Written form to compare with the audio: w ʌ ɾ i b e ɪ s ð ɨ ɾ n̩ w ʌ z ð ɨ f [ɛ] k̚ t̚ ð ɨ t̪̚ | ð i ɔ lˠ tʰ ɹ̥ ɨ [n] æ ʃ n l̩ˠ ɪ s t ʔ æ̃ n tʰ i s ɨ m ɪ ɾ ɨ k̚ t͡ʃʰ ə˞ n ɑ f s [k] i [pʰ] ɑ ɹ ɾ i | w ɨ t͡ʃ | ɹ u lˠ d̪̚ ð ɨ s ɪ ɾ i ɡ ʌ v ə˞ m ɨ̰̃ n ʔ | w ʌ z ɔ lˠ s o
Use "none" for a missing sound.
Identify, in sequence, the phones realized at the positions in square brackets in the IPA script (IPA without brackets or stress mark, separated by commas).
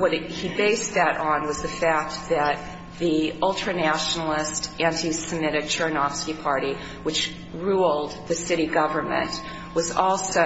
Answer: æ, n, k, pʰ